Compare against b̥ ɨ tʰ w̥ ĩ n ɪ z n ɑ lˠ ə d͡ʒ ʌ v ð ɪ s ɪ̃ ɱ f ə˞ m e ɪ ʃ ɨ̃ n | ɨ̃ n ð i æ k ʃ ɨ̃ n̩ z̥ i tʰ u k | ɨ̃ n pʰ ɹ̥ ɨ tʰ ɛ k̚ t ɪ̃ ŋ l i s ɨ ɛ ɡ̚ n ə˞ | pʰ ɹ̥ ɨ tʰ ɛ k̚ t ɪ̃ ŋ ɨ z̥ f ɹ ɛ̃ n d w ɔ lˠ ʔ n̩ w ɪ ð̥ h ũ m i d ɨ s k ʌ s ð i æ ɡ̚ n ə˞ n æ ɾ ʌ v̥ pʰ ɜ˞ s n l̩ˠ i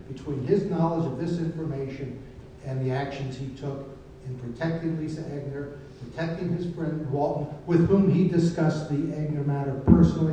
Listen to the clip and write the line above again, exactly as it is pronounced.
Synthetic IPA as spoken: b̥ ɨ tʰ w̥ ĩ n ɪ z n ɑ lˠ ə d͡ʒ ʌ v ð ɪ s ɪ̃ ɱ f ə˞ m e ɪ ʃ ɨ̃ n | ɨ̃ n ð i æ k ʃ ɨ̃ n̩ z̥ i tʰ ʊ k | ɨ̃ n pʰ ɹ̥ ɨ tʰ ɛ k̚ t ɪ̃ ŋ l i s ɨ ɛ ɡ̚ n ə˞ | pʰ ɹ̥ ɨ tʰ ɛ k̚ t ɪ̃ ŋ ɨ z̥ f ɹ ɛ̃ n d w ɔ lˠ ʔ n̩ w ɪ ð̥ h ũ m i d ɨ s k ʌ s ð i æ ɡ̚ n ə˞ m æ ɾ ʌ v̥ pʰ ɜ˞ s n l̩ˠ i

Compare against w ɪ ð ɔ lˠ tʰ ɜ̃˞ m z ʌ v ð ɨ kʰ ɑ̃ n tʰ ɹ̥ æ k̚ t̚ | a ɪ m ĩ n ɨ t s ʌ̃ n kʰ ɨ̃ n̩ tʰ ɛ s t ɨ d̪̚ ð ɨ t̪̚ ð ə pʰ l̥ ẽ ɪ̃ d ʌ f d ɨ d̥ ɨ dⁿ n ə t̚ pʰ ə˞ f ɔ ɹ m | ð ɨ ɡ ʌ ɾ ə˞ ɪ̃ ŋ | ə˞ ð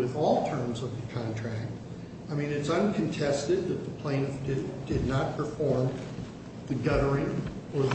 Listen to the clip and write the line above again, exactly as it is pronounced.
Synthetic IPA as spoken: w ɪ ð ɔ lˠ tʰ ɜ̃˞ m z ʌ v ð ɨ kʰ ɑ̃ n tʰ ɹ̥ æ k̚ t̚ | a ɪ m ĩ n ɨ t s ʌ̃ n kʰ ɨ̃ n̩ tʰ ɛ s t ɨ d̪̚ ð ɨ t̪̚ ð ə pʰ l̥ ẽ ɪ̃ n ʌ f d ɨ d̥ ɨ dⁿ n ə t̚ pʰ ə˞ f ɔ ɹ m | ð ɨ ɡ ʌ ɾ ə˞ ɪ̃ ŋ | ə˞ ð

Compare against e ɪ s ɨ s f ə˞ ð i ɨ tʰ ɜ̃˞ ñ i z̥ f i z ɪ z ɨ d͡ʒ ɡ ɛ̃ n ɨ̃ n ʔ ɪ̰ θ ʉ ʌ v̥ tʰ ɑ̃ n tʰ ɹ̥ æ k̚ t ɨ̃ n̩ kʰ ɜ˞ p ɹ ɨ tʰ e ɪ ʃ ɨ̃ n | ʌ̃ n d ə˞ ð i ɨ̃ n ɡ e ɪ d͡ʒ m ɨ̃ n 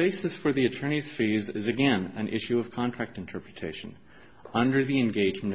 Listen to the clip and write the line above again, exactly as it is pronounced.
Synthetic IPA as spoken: e ɪ s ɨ s f ə˞ ð i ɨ tʰ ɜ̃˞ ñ i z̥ f i z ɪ z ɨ ɡ ɛ̃ n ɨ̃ n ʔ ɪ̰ ʃ ʉ ʌ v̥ kʰ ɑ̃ n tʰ ɹ̥ æ k̚ t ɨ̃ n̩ tʰ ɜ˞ p ɹ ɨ tʰ e ɪ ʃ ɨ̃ n | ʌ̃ n d ə˞ ð i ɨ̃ n ɡ e ɪ d͡ʒ m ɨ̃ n

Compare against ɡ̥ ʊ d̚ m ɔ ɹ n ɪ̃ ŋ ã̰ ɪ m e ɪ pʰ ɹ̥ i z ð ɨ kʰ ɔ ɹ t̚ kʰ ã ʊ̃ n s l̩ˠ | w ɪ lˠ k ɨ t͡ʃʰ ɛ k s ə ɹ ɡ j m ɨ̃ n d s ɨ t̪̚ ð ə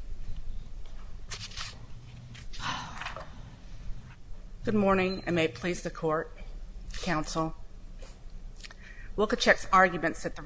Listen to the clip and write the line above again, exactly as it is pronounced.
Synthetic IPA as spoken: ɡ̥ ʊ d̚ m ɔ ɹ n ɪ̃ ŋ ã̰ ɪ m e ɪ pʰ l̥ i z ð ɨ kʰ ɔ ɹ t̚ kʰ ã ʊ̃ n s l̩ˠ | w ɪ lˠ k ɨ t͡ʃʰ ɛ k s ɑ ɹ ɡ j m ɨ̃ n t s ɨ t̪̚ ð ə

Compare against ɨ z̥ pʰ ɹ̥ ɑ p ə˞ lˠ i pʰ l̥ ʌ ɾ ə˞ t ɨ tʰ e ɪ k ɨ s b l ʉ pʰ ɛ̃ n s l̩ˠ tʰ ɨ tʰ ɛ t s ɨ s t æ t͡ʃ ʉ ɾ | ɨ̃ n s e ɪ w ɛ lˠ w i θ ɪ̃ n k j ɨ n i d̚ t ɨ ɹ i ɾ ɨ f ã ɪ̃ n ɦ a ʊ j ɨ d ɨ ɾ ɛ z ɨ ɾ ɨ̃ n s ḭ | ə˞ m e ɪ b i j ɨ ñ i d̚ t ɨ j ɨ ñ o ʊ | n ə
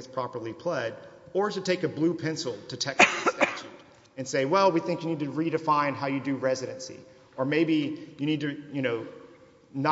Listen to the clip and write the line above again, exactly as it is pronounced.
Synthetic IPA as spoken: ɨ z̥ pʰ ɹ̥ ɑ p ə˞ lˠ i pʰ l̥ ʌ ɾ ə˞ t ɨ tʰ e ɪ k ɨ b l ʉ pʰ ɛ̃ n s l̩ˠ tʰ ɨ tʰ ɛ k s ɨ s t æ t͡ʃ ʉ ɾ | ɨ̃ n s e ɪ w ɛ lˠ w i θ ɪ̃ ŋ k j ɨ n i d̚ t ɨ ɹ i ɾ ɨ f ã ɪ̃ n ɦ a ʊ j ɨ d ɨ ɹ ɛ z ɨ ɾ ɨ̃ n s ḭ | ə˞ m e ɪ b i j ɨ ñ i d̚ t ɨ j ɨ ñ o ʊ | n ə

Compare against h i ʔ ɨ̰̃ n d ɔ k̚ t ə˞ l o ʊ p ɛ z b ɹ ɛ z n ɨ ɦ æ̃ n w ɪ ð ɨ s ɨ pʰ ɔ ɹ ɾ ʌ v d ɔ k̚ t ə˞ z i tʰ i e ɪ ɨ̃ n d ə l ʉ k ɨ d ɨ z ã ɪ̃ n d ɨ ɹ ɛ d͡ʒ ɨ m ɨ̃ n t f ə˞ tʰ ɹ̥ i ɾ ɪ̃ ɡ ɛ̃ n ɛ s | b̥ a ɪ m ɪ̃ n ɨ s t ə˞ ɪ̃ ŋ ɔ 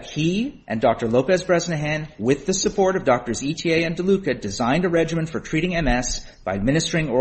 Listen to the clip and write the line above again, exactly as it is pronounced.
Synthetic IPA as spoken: h i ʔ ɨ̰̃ n d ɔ k̚ t ə˞ l o ʊ p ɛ z b ɹ ɛ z n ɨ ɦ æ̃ n w ɪ ð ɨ s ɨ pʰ ɔ ɹ ɾ ʌ v d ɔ k̚ t ə˞ z i tʰ i e ɪ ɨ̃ n d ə l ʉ k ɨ d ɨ z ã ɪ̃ n d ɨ ɹ ɛ d͡ʒ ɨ m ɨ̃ n t f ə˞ tʰ ɹ̥ i ɾ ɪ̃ ŋ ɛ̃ m ɛ s | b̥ a ɪ m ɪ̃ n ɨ s t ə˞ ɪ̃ ŋ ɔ

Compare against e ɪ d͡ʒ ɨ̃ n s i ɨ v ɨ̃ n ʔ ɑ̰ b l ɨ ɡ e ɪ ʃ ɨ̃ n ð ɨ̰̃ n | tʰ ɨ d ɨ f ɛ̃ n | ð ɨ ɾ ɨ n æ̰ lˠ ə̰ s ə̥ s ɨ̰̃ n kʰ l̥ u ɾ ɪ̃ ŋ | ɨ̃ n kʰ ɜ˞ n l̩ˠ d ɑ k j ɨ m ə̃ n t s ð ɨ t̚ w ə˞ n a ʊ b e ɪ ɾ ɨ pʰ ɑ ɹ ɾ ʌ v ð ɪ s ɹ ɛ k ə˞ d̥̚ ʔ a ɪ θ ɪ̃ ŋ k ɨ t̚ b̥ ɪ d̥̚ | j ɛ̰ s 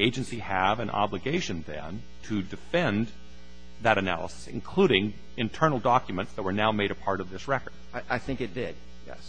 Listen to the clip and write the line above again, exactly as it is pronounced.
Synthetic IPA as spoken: e ɪ d͡ʒ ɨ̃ n s i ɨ v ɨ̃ n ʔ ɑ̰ b l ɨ ɡ e ɪ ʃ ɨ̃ n ð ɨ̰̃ n | tʰ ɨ d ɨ f ɛ̃ n | ð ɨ ɾ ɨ n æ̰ lˠ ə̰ s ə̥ s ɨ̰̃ n kʰ l̥ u ɾ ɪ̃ ŋ | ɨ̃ n tʰ ɜ˞ n l̩ˠ d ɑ k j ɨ m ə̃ n t s ð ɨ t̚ w ə˞ n a ʊ m e ɪ ɾ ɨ pʰ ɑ ɹ ɾ ʌ v ð ɪ s ɹ ɛ k ə˞ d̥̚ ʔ a ɪ θ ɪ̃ ŋ k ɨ t̚ d̥ ɪ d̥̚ | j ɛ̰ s

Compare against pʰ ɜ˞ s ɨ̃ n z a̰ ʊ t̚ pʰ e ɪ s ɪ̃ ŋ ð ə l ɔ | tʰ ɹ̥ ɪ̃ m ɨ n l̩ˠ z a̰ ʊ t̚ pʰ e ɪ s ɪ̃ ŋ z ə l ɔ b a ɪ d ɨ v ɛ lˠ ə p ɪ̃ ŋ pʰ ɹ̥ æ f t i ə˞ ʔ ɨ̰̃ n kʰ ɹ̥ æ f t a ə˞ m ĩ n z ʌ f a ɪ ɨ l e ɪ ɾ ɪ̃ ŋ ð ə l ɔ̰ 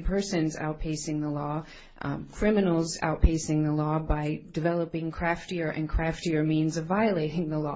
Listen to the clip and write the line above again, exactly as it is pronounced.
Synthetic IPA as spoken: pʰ ɜ˞ s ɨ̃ n z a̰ ʊ t̚ pʰ e ɪ s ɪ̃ ŋ ð ə l ɔ | kʰ ɹ̥ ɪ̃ m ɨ n l̩ˠ z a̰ ʊ t̚ pʰ e ɪ s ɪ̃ ŋ ð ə l ɔ b a ɪ d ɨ v ɛ lˠ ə p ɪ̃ ŋ kʰ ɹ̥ æ f t i ə˞ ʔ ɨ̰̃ n kʰ ɹ̥ æ f t i ə˞ m ĩ n z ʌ v a ɪ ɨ l e ɪ ɾ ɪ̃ ŋ ð ə l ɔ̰

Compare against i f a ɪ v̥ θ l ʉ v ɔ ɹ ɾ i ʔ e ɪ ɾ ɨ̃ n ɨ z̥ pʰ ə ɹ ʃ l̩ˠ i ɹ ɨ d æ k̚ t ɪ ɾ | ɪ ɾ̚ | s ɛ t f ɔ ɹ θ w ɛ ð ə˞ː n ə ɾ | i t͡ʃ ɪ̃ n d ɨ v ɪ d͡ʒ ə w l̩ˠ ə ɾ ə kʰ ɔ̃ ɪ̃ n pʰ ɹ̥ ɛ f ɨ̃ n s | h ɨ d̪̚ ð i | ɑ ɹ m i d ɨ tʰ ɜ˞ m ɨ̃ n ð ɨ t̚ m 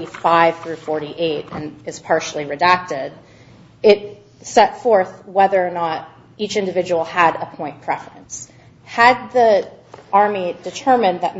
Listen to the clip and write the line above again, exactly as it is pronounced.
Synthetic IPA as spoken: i f a ɪ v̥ θ ɹ ʉ f ɔ ɹ ɾ i ʔ e ɪ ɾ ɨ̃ n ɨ z̥ pʰ ɑ ɹ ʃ l̩ˠ i ɹ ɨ d æ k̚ t ɪ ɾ | ɪ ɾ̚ | s ɛ t f ɔ ɹ θ w ɛ ð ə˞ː n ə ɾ | i t͡ʃ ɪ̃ n d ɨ v ɪ d͡ʒ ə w l̩ˠ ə ɾ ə pʰ ɔ̃ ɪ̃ n pʰ ɹ̥ ɛ f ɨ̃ n s | h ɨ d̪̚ ð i | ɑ ɹ m i d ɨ tʰ ɜ˞ m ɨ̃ n ð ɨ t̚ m

